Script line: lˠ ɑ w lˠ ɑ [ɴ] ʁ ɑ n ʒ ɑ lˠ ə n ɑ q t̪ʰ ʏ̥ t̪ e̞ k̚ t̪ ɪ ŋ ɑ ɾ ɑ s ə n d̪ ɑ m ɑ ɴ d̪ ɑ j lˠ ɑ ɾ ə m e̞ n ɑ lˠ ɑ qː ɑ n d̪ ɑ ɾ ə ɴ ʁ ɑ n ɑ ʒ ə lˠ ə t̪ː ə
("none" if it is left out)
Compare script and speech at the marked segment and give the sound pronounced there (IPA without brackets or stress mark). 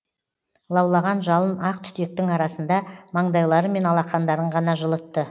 none